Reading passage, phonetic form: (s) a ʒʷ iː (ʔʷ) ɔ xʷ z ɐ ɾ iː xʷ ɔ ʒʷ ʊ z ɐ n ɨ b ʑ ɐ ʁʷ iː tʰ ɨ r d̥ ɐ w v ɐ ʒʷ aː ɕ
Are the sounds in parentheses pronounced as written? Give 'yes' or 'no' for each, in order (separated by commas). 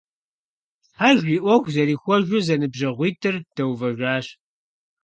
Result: no, yes